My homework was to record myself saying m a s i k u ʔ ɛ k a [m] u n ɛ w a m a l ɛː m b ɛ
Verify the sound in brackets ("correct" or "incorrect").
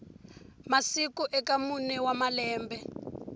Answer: correct